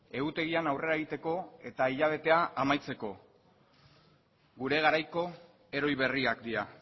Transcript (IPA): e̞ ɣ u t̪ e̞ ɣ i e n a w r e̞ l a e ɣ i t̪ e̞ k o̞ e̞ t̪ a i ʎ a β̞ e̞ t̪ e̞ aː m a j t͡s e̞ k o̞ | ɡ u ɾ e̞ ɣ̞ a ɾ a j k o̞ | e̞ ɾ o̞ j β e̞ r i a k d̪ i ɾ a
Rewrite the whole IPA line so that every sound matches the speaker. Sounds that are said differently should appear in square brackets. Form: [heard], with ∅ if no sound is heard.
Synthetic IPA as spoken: e̞ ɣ u t̪ e̞ ɣ i [a] n a w r e̞ [ɾ] a e ɣ i t̪ e̞ k o̞ e̞ t̪ a i ʎ a β̞ e̞ t̪ e̞ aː m a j t͡s e̞ k o̞ | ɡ u ɾ e̞ ɣ̞ a ɾ a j k o̞ | e̞ ɾ o̞ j β e̞ r i a k d̪ i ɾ a

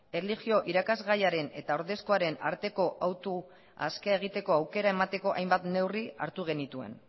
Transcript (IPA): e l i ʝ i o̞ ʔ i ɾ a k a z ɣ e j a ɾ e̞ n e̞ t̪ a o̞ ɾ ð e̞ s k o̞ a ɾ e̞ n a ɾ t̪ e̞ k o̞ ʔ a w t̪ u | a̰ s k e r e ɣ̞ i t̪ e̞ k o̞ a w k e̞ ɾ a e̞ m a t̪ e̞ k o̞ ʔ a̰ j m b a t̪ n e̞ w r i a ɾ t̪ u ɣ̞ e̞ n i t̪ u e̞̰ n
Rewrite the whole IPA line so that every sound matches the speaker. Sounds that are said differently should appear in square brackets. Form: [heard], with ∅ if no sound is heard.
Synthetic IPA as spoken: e l i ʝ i o̞ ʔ i ɾ a k a z ɣ [a] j a ɾ e̞ n e̞ t̪ a o̞ ɾ ð e̞ s k o̞ a ɾ e̞ n a ɾ t̪ e̞ k o̞ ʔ a w t̪ u | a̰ s k e [∅] e ɣ̞ i t̪ e̞ k o̞ a w k e̞ ɾ a e̞ m a t̪ e̞ k o̞ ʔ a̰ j m b a t̪ n e̞ w r i a ɾ t̪ u ɣ̞ e̞ n i t̪ u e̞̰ n

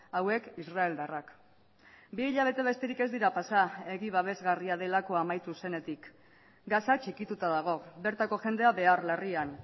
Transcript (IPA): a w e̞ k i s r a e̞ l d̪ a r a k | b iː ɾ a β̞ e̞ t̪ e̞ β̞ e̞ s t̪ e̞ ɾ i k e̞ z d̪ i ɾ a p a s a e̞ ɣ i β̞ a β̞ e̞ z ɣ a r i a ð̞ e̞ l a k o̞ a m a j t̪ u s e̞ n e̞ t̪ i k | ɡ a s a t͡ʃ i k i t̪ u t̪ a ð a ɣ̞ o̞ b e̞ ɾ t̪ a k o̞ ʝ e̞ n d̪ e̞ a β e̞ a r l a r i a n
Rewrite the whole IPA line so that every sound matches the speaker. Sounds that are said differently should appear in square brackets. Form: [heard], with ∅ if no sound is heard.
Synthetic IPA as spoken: a w e̞ k i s r a e̞ l d̪ a r a k | b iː [ʎ] a β̞ e̞ t̪ e̞ β̞ e̞ s t̪ e̞ ɾ i k e̞ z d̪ i ɾ a p a s a e̞ ɣ i β̞ a β̞ e̞ z ɣ a r i a ð̞ e̞ l a k o̞ a m a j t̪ u s e̞ n e̞ t̪ i k | ɡ a s a t͡ʃ i k i t̪ u t̪ a ð a ɣ̞ o̞ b e̞ ɾ t̪ a k o̞ ʝ e̞ n d̪ e̞ a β e̞ a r l a r i a n

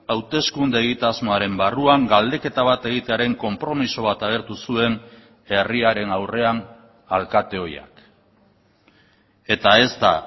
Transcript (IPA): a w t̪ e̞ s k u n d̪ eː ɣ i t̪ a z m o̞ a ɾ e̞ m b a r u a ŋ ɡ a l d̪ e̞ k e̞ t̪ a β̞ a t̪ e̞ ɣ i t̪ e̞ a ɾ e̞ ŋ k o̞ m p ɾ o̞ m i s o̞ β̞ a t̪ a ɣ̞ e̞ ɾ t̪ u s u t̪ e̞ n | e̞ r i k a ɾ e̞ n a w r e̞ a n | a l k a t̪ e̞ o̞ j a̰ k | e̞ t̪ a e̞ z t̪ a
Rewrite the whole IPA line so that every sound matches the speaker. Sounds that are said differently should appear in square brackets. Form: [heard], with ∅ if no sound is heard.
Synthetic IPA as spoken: a w t̪ e̞ s k u n d̪ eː ɣ i t̪ a z m o̞ a ɾ e̞ m b a r u a ŋ ɡ a l d̪ e̞ k e̞ t̪ a β̞ a t̪ e̞ ɣ i t̪ e̞ a ɾ e̞ ŋ k o̞ m p ɾ o̞ m i s o̞ β̞ a t̪ a ɣ̞ e̞ ɾ t̪ u s u [∅] e̞ n | e̞ r i [∅] a ɾ e̞ n a w r e̞ a n | a l k a t̪ e̞ o̞ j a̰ k | e̞ t̪ a e̞ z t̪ a

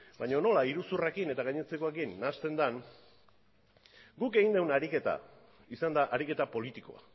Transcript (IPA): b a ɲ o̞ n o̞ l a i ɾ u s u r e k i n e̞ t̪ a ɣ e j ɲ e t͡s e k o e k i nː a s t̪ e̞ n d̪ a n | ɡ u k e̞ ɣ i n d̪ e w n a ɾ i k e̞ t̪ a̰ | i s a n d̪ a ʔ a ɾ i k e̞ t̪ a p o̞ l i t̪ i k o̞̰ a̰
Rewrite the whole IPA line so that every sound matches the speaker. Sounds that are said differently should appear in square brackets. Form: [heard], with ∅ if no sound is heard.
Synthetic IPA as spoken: b a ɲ o̞ n o̞ l a i ɾ u s u r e k i n e̞ t̪ a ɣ [a] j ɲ e t͡s e k o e k i nː a s t̪ e̞ n d̪ a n | ɡ u k e̞ ɣ i n d̪ e w n a ɾ i k e̞ t̪ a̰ | i s a n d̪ a ʔ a ɾ i k e̞ t̪ a p o̞ l i t̪ i k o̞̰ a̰

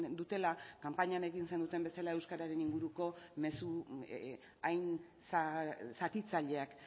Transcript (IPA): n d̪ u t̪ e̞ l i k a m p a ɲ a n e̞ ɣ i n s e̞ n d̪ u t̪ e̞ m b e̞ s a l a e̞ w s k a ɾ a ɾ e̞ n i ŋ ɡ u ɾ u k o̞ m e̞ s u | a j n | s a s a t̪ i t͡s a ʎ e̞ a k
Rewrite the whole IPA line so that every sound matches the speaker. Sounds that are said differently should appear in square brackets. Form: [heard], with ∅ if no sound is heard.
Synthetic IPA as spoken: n d̪ u t̪ e̞ l [a] k a m p a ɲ a n e̞ ɣ i n s e̞ n d̪ u t̪ e̞ m b e̞ s a l a e̞ w s k a ɾ a ɾ e̞ n i ŋ ɡ u ɾ u k o̞ m e̞ s u | a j n | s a s a t̪ i t͡s a ʎ e̞ a k

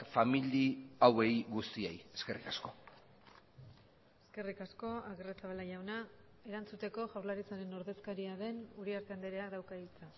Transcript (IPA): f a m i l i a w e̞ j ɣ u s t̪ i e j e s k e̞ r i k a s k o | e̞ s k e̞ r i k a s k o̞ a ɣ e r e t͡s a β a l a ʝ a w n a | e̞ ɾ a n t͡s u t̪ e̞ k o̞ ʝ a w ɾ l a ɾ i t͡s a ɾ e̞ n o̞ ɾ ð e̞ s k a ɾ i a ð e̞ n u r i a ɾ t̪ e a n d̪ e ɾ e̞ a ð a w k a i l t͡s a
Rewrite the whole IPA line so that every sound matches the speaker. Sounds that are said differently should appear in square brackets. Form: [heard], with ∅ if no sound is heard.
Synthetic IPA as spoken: f a m i l i a w e̞ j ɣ u s t̪ i e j e s k e̞ r i k a s k o | e̞ s k e̞ r i k a s k o̞ a ɣ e r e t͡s a β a l a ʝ a w n a | e̞ ɾ a n t͡s u t̪ e̞ k o̞ ʝ a w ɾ l a ɾ i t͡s a ɾ e̞ n o̞ ɾ ð e̞ s k a ɾ i a ð e̞ n u [ɾ] i a ɾ t̪ e a n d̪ e ɾ e̞ a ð a w k a i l t͡s a

